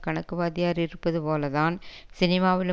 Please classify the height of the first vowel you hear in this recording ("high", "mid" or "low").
low